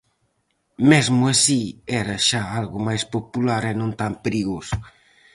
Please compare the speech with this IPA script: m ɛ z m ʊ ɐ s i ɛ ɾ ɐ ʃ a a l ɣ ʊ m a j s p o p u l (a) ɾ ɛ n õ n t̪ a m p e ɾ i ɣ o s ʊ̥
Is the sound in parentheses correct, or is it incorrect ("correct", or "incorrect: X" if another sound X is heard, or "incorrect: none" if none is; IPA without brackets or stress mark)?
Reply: correct